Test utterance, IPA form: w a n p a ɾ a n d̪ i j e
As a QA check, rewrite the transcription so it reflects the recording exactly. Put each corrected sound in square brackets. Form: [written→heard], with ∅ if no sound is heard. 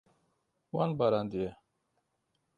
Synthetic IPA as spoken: w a n [p→b] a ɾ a n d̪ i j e

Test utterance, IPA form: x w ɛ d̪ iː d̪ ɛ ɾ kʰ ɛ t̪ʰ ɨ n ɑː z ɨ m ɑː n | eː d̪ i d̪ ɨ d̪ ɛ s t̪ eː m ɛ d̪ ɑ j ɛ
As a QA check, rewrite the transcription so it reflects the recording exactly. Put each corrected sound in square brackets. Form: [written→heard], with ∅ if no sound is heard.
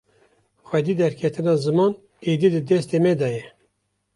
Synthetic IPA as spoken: x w ɛ d̪ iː d̪ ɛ ɾ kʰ ɛ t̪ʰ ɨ n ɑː z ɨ m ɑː n | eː d̪ i d̪ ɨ d̪ ɛ s t̪ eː m ɛ d̪ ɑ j ɛ

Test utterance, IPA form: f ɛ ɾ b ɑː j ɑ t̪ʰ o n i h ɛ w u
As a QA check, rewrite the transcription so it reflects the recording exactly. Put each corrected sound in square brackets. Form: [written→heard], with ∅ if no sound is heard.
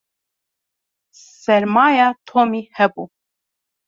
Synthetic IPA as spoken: [f→s] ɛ ɾ [b→m] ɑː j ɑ t̪ʰ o [n→m] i h ɛ [w→b] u

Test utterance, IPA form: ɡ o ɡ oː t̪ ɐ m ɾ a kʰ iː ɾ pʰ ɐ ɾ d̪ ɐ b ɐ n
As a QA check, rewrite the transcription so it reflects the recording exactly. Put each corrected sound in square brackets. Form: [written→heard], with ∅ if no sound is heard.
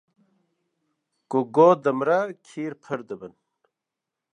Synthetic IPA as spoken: [ɡ→k] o ɡ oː [t̪→d̪] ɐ m ɾ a kʰ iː ɾ pʰ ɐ ɾ d̪ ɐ b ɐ n

